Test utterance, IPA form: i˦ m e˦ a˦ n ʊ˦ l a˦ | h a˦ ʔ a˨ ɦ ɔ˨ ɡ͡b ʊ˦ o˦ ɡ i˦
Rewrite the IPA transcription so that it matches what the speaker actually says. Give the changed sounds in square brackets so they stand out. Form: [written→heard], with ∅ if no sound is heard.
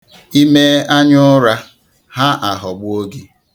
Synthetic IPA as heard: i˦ m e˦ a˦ [n→ɲ] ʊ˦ [l→ɾ] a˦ | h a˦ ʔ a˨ ɦ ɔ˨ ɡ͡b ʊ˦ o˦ ɡ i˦